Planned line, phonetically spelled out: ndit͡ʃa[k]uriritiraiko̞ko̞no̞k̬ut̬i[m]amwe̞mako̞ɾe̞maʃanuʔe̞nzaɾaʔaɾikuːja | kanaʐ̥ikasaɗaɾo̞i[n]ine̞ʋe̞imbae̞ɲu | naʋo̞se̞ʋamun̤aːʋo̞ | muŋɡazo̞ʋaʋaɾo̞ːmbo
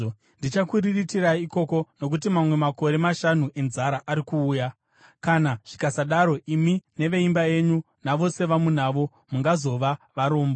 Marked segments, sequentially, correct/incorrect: correct, correct, incorrect

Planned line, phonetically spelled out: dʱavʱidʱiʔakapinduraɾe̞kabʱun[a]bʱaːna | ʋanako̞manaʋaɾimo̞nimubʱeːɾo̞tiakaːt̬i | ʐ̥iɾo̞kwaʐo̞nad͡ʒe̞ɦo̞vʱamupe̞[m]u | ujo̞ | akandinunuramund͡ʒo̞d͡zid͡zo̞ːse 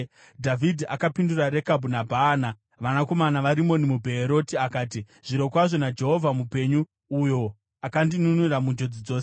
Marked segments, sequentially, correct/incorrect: correct, incorrect

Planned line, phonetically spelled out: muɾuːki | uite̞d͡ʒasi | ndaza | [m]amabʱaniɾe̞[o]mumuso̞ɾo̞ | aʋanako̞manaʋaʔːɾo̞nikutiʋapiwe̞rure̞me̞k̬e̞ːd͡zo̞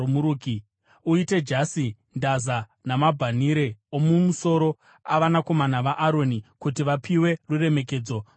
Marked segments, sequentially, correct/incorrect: incorrect, correct

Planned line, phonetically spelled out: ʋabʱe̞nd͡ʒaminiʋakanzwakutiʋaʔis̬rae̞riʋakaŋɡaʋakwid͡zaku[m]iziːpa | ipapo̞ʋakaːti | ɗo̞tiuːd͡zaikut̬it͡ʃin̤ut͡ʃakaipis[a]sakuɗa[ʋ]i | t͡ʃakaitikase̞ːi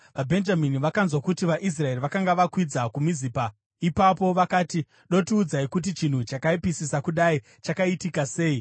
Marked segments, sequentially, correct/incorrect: correct, incorrect, incorrect

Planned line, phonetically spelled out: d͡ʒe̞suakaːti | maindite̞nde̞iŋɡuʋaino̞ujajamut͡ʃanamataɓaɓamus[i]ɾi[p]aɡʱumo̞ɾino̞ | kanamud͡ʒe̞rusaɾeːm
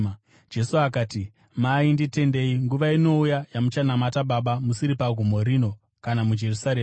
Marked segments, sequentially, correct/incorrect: correct, correct

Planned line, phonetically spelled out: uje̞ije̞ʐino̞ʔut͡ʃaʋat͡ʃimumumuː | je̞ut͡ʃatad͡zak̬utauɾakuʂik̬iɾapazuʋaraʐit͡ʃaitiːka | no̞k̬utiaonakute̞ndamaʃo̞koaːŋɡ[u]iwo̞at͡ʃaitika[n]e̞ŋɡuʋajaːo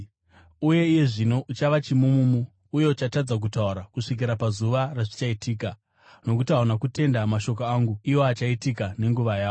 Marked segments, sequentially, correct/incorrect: correct, correct

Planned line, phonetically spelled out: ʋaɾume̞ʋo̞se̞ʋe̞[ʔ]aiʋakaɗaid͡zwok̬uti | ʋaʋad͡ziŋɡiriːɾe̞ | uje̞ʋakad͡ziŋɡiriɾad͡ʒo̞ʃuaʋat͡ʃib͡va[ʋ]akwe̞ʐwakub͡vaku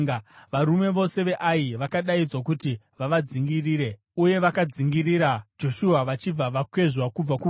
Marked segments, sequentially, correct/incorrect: correct, correct

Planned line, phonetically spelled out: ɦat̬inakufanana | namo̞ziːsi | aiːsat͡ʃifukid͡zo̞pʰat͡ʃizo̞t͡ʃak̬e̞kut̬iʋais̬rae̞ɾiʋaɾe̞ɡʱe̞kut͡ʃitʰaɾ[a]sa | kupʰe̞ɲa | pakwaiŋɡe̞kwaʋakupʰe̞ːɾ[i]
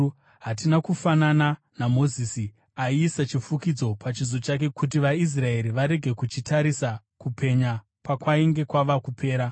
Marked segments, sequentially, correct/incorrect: incorrect, incorrect

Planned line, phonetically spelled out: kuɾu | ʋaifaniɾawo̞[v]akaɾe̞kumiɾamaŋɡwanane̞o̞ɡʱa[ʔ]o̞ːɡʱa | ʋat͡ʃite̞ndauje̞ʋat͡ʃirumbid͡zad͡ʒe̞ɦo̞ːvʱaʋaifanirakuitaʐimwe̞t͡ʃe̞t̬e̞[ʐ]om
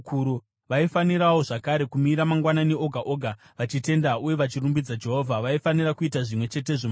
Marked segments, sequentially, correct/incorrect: incorrect, correct, correct

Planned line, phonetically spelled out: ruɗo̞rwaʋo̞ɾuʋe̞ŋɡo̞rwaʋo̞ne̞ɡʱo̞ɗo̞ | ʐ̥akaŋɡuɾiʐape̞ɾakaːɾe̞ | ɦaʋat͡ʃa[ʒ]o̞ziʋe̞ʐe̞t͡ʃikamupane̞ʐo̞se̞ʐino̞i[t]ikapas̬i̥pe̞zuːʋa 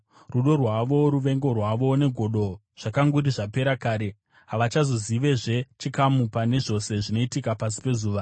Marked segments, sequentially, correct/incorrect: incorrect, correct

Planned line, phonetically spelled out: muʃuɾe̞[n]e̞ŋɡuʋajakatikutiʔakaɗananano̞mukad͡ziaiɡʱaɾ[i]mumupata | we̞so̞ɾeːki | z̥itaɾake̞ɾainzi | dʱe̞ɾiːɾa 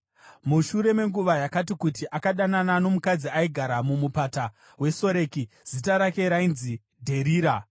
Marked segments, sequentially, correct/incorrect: incorrect, incorrect

